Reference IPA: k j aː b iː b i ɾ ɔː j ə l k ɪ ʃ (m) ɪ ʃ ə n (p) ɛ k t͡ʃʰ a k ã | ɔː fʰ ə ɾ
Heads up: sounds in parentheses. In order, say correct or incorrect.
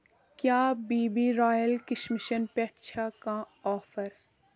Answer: correct, correct

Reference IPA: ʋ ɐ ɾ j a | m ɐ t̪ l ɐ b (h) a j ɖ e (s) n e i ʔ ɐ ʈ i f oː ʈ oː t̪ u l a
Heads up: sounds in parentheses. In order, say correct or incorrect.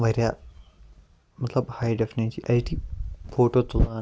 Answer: correct, incorrect

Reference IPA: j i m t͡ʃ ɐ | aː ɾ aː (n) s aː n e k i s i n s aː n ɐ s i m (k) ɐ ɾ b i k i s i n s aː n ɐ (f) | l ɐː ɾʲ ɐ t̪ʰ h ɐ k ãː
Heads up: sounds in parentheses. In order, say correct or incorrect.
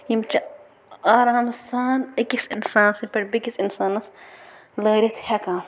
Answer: incorrect, incorrect, incorrect

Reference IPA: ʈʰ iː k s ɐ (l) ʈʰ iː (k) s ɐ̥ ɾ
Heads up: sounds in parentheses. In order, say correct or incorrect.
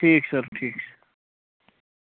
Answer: incorrect, correct

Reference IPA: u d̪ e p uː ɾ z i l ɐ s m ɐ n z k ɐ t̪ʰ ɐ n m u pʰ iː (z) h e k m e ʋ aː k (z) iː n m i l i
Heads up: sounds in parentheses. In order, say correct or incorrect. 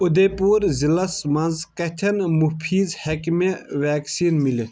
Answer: correct, incorrect

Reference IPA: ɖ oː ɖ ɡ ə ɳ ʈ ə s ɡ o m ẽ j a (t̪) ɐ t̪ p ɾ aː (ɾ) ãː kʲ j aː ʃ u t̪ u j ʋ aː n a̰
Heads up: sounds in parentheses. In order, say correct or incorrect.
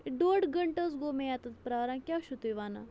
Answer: correct, correct

